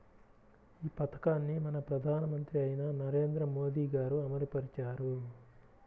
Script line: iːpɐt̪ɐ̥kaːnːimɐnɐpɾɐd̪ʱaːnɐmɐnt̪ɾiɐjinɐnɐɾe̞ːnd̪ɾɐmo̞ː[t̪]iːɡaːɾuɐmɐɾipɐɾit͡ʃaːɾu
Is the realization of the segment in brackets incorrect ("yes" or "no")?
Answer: yes